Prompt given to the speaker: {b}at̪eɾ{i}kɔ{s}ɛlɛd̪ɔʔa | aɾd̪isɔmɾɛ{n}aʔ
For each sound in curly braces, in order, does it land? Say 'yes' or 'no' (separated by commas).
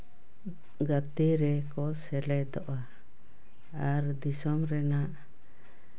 no, no, yes, yes